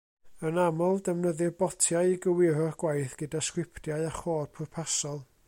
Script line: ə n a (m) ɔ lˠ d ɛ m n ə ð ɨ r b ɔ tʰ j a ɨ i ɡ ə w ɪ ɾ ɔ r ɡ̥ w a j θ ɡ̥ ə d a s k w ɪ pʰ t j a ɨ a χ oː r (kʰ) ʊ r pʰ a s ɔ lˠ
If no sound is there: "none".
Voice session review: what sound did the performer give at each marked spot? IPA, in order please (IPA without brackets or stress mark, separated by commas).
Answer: m, pʰ